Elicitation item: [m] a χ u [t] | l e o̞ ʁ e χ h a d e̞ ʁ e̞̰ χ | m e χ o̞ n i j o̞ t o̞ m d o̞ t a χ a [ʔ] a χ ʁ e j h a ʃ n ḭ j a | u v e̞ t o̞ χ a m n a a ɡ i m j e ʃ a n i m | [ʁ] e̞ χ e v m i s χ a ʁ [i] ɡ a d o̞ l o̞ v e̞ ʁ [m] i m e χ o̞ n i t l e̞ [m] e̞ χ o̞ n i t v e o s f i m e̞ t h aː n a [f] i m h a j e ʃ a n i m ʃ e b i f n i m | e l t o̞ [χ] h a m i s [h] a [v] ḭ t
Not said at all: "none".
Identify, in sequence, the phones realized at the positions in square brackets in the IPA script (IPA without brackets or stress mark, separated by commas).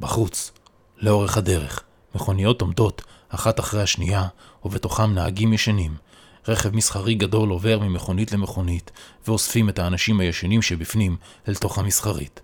b, t͡s, t, ʁ, i, m, m, ʃ, χ, χ, ʁ